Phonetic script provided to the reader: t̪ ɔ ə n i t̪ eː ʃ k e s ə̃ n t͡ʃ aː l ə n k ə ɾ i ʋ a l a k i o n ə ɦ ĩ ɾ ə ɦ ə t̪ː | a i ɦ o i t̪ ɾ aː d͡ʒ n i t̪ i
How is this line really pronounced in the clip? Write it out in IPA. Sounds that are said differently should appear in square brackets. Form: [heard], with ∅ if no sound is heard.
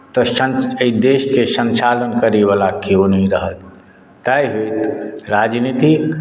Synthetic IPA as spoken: t̪ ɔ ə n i [d̪] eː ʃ k e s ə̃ n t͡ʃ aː l ə n k ə ɾ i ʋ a l a k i o n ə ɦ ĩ ɾ ə ɦ ə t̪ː | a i ɦ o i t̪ ɾ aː d͡ʒ n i t̪ i